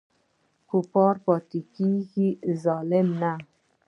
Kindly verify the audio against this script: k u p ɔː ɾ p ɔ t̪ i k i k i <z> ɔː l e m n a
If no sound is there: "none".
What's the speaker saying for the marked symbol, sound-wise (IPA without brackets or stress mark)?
z